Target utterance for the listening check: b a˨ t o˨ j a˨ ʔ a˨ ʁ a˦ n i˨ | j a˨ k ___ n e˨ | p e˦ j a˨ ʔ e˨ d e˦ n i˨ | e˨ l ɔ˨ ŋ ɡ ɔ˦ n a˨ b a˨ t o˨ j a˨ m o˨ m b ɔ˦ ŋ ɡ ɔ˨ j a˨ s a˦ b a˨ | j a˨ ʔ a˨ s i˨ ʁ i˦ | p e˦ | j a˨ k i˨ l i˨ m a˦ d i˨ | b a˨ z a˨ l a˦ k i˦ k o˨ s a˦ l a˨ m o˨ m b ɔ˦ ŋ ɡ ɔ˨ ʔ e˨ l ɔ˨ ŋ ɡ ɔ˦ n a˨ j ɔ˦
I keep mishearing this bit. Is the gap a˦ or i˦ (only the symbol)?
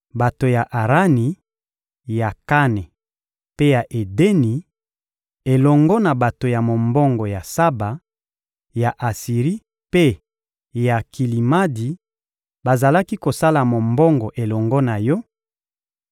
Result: a˦